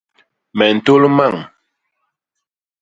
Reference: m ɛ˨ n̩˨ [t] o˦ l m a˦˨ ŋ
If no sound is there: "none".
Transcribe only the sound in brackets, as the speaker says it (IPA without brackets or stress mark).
t